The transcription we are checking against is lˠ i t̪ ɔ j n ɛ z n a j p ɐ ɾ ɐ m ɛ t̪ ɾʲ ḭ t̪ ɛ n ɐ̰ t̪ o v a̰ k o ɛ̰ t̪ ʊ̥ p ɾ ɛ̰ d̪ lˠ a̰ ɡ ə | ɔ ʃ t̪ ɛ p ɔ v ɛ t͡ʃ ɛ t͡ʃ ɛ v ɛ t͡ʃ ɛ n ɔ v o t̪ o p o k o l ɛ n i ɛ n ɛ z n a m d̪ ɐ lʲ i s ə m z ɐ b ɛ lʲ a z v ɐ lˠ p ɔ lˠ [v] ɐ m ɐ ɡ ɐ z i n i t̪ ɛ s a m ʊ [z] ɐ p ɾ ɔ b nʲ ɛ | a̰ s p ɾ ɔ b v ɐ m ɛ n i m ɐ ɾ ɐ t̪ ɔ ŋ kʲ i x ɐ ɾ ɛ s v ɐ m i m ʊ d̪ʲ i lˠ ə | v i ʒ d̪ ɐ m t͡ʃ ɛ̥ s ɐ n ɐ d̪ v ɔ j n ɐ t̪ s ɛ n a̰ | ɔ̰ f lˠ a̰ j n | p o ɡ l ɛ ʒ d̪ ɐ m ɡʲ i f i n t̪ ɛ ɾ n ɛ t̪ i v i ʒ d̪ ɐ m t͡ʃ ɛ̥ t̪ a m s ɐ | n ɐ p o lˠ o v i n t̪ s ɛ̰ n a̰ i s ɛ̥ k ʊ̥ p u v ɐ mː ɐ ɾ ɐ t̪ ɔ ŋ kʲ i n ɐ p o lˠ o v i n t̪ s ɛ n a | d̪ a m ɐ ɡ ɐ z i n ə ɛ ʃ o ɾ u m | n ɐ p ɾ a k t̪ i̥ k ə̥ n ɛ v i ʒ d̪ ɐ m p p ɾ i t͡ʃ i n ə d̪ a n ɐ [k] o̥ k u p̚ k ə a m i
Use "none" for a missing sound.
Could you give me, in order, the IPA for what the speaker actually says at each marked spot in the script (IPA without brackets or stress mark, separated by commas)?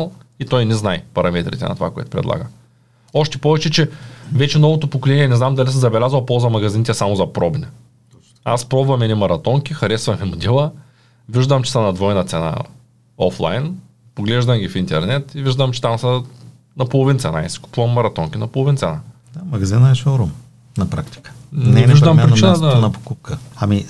z, z, p